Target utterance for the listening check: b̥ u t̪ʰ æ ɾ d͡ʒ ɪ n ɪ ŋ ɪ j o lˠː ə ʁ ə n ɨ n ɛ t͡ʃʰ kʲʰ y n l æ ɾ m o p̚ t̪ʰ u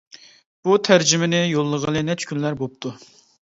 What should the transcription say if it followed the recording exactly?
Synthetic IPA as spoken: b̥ u t̪ʰ æ ɾ d͡ʒ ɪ m ɪ n ɪ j o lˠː ə ʁ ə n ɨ n ɛ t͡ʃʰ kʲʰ y n l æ ɾ b o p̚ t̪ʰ u